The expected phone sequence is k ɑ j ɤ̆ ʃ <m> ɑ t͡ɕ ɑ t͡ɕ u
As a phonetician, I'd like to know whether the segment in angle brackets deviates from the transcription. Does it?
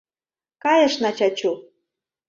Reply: yes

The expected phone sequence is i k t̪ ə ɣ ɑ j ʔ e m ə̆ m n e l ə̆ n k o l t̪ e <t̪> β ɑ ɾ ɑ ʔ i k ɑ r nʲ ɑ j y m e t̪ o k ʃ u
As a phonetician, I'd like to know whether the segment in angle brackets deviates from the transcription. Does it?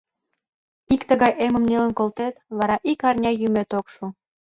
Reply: no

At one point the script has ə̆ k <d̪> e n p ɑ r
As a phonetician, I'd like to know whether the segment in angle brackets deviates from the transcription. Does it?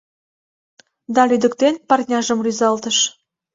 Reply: yes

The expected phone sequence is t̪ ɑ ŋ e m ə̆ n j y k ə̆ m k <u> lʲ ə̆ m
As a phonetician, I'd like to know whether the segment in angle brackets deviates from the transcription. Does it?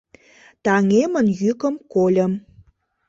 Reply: yes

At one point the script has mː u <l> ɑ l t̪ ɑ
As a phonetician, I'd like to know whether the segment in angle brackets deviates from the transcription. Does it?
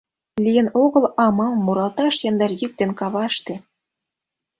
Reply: yes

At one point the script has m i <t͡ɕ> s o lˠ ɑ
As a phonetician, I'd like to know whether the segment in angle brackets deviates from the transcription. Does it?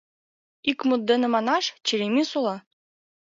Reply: yes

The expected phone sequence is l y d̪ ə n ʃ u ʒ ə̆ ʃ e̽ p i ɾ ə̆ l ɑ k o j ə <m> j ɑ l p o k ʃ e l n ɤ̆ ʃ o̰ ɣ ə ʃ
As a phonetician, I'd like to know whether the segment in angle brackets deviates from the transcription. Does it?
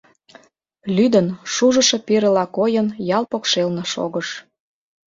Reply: yes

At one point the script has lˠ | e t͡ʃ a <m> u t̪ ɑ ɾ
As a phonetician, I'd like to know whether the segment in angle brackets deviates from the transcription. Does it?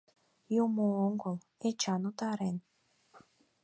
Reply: yes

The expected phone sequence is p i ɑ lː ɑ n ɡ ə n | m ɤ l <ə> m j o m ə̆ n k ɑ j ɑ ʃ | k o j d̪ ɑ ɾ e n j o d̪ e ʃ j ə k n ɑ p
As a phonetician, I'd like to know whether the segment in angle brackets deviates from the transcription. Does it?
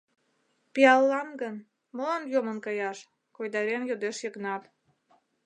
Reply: yes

